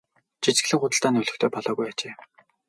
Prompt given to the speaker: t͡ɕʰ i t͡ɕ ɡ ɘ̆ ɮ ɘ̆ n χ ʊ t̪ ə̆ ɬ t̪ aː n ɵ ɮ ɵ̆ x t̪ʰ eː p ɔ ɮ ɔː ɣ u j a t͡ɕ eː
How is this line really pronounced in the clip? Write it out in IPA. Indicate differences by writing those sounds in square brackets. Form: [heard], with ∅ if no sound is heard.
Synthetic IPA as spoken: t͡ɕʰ i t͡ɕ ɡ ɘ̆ ɮ ɘ̆ [ŋ] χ ʊ t̪ ə̆ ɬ t̪ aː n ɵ ɮ ɵ̆ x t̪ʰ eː p ɔ ɮ ɔː ɣ u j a t͡ɕ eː